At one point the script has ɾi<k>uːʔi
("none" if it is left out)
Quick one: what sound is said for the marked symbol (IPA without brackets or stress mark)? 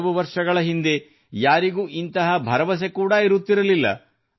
ɡ